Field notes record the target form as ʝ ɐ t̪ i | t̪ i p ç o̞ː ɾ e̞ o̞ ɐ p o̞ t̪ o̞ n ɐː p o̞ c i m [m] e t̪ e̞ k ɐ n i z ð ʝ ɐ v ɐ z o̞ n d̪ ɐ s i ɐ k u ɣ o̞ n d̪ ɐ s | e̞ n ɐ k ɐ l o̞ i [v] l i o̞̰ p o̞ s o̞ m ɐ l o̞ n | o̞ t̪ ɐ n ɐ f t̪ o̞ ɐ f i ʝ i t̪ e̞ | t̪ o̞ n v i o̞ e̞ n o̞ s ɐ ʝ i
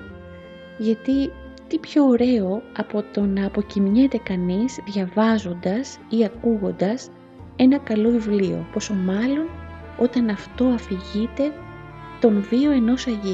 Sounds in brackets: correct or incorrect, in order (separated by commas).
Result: incorrect, correct